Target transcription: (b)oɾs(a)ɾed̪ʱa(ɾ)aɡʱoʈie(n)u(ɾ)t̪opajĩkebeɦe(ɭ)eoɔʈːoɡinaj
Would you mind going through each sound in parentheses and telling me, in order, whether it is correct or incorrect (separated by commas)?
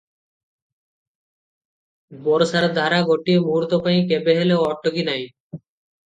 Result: correct, correct, correct, incorrect, correct, incorrect